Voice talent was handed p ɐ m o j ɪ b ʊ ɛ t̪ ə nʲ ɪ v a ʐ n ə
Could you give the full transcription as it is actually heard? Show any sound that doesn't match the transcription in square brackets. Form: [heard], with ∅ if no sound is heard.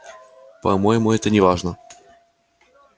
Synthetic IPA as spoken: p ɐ m o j ɪ [m] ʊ ɛ t̪ ə nʲ ɪ v a ʐ n ə